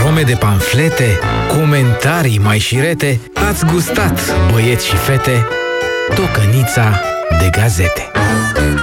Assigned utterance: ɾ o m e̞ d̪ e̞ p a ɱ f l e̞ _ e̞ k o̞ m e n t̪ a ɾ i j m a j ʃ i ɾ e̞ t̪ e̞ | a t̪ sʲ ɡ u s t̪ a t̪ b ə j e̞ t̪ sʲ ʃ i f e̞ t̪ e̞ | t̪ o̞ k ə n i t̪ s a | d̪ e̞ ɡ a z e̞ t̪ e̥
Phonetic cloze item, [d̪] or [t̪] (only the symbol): t̪